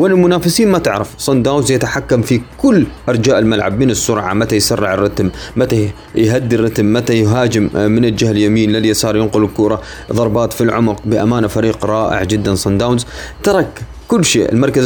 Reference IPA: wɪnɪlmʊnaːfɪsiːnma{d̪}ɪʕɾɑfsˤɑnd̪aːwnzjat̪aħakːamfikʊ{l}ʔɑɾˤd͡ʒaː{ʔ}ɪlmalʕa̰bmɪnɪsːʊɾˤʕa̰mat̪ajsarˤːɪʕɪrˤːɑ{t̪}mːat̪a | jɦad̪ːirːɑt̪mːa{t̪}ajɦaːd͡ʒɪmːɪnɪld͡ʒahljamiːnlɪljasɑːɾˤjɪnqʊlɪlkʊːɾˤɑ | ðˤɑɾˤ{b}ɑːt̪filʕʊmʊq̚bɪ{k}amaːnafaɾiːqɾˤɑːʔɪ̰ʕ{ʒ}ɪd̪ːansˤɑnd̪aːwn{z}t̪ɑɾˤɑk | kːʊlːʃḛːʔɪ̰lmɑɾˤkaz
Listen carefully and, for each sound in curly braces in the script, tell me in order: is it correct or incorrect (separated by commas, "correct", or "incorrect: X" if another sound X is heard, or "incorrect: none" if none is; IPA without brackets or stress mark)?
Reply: incorrect: t̪, incorrect: lː, correct, correct, correct, correct, incorrect: ʔ, incorrect: d͡ʒ, correct